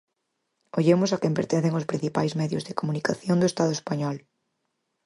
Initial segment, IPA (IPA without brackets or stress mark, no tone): o